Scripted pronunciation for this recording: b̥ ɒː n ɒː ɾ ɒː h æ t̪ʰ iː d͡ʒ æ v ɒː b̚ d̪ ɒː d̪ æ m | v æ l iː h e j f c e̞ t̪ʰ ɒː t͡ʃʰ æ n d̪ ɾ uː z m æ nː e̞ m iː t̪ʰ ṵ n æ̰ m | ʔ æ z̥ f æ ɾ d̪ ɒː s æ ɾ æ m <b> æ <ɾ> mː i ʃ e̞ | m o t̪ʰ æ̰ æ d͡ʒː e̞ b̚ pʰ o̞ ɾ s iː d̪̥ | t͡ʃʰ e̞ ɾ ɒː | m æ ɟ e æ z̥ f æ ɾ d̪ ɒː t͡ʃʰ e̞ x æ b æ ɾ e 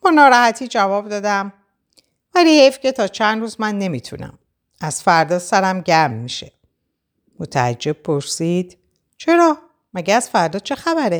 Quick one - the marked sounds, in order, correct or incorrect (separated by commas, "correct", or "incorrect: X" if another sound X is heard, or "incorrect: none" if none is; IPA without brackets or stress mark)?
incorrect: ɟ, correct